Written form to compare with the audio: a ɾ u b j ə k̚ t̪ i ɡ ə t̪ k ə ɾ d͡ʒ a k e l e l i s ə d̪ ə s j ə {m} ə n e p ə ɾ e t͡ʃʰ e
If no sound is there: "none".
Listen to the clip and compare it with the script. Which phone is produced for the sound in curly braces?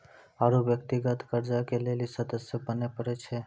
b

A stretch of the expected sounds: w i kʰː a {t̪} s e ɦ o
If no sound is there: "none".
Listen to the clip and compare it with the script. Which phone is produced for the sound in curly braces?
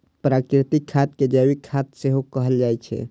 t̪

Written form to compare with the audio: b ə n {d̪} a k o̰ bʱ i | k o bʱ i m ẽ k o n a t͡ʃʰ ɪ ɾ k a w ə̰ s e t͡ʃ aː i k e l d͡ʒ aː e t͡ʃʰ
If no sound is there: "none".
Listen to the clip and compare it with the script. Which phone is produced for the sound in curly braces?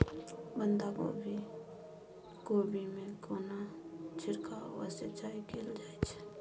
d̪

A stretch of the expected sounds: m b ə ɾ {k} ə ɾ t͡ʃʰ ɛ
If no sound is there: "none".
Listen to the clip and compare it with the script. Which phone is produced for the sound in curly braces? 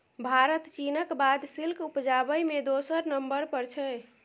p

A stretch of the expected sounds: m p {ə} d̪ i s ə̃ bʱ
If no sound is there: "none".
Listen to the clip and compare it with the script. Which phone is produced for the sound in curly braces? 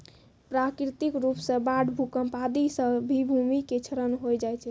a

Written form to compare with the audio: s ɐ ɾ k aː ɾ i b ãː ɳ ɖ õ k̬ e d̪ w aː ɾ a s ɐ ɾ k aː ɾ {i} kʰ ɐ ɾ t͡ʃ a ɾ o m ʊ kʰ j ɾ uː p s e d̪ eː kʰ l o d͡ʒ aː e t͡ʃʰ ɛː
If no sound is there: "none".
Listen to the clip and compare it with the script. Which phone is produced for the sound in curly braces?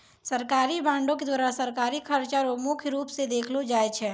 i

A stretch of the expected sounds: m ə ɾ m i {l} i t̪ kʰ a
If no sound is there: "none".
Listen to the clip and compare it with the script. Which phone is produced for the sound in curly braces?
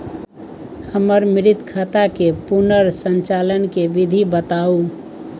ɾ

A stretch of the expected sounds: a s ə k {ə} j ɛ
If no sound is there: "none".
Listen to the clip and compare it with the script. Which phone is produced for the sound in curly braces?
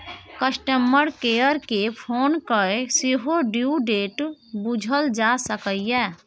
ə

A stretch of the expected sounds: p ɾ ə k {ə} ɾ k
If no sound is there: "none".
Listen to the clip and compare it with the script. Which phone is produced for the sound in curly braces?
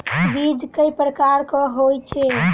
a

